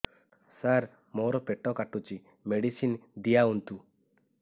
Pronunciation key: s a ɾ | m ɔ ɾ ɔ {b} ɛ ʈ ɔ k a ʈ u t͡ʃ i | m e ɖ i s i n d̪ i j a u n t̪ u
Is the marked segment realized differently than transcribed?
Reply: yes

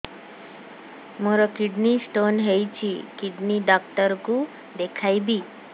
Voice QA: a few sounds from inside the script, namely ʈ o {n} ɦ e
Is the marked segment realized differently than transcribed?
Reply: no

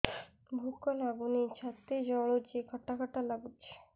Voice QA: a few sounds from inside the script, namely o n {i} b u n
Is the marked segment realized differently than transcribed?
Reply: yes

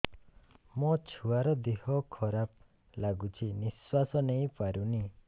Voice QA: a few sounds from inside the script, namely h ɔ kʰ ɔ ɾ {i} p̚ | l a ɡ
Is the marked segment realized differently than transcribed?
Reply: yes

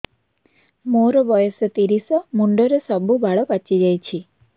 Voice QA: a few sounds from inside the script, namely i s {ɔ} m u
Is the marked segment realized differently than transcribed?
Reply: no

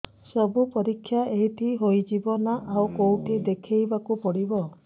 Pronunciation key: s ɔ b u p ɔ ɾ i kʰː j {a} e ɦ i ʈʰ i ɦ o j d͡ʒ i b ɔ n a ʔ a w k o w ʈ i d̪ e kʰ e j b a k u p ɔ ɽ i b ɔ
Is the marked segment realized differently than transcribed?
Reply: no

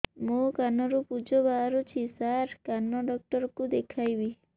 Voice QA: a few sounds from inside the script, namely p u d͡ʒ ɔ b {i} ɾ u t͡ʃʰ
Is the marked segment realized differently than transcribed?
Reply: yes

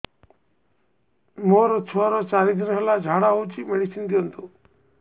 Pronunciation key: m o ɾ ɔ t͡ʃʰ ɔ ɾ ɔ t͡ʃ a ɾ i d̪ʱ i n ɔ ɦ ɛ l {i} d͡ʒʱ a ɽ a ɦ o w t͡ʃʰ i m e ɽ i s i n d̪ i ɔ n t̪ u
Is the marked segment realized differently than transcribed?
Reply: yes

